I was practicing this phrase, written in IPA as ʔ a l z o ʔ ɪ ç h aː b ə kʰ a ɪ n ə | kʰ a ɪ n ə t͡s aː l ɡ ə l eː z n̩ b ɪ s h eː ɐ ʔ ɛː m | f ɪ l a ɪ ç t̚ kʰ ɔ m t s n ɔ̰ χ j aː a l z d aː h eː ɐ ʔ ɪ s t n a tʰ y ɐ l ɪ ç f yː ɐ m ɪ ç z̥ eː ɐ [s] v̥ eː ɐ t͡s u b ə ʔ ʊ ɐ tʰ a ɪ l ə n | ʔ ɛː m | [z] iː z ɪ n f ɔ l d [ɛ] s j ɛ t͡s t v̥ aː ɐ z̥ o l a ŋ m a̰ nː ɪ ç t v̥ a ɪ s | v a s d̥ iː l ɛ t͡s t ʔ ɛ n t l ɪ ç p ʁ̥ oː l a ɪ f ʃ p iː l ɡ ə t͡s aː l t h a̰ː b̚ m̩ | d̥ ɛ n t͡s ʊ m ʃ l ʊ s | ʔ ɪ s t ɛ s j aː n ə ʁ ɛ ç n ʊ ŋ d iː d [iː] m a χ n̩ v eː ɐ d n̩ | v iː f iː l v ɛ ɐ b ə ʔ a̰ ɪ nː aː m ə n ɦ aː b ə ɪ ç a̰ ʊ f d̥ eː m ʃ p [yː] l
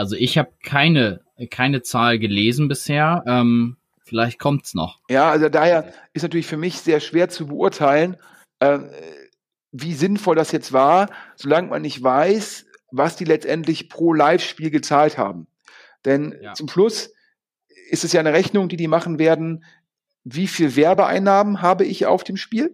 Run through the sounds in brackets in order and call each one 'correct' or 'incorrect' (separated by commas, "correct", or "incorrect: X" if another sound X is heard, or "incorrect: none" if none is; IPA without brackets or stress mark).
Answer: incorrect: ʃ, incorrect: v, incorrect: a, correct, incorrect: iː